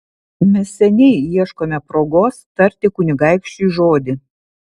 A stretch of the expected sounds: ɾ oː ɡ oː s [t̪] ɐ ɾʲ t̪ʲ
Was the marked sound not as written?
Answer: no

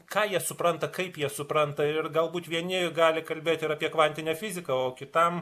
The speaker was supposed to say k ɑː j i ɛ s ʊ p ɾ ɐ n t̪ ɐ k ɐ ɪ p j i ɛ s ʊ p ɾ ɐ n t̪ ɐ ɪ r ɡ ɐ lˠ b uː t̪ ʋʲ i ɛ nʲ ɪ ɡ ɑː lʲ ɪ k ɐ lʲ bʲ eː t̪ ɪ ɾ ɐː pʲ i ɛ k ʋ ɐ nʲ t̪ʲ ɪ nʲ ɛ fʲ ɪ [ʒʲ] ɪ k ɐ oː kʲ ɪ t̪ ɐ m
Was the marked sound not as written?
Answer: yes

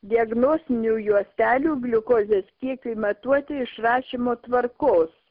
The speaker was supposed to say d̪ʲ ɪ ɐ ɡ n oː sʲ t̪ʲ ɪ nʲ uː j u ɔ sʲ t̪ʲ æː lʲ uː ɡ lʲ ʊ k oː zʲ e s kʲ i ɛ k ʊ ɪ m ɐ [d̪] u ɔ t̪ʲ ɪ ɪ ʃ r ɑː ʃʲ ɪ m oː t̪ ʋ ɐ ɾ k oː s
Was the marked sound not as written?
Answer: yes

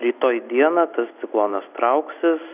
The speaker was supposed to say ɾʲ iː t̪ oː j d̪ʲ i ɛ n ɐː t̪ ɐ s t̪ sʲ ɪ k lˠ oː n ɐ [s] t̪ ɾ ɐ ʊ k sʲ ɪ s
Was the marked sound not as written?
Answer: no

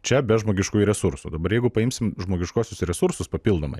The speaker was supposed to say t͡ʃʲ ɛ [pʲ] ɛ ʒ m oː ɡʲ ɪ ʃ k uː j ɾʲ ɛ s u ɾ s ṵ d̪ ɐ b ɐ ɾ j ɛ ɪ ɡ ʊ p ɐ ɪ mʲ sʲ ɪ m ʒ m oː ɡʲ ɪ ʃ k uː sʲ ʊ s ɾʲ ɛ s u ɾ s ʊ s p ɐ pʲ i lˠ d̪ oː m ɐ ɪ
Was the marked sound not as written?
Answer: yes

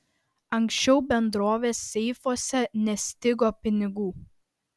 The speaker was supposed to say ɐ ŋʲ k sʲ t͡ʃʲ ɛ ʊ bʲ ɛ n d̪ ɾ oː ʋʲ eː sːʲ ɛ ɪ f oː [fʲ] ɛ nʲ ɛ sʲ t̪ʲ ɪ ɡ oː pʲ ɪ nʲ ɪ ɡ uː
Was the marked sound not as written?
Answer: yes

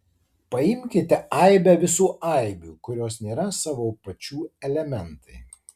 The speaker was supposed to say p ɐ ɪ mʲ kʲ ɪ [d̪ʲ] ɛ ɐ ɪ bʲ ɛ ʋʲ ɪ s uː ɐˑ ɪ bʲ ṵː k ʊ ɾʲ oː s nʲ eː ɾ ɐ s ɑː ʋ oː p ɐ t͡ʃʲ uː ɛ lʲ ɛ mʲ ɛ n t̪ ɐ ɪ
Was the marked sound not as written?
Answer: yes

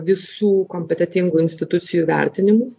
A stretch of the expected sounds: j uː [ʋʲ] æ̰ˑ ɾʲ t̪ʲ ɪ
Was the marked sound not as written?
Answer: no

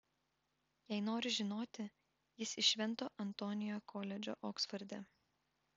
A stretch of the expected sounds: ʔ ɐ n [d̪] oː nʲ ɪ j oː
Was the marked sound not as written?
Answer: yes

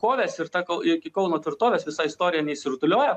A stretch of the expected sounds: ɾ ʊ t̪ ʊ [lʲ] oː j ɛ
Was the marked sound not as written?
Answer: no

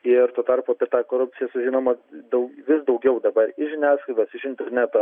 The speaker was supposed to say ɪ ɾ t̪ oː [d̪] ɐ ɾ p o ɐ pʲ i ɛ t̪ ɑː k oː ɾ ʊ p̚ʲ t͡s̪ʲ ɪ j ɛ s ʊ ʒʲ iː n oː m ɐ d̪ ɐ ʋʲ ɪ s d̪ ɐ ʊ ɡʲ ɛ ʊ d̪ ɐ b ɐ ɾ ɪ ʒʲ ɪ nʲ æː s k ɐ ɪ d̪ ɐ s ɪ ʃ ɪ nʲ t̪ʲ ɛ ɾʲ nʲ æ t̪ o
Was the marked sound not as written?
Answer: yes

